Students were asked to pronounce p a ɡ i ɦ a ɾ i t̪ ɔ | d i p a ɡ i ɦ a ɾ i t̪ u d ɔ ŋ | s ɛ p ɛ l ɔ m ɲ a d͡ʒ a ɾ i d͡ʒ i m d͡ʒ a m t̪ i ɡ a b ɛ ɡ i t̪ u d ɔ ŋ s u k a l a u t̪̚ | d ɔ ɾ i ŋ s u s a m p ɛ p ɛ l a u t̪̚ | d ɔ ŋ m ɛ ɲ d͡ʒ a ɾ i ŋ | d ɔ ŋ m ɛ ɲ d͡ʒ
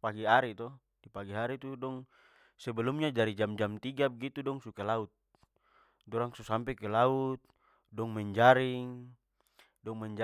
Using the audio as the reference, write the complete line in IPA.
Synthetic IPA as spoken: p a ɡ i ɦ a ɾ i t̪ ɔ | d i p a ɡ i ɦ a ɾ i t̪ u d ɔ ŋ | s ɛ b ɛ l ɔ m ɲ a d͡ʒ a ɾ i d͡ʒ a m d͡ʒ a m t̪ i ɡ a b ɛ ɡ i t̪ u d ɔ ŋ s u k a l a u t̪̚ | d ɔ ɾ a ŋ s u s a m p ɛ k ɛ l a u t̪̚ | d ɔ ŋ m ɛ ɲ d͡ʒ a ɾ i ŋ | d ɔ ŋ m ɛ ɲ d͡ʒ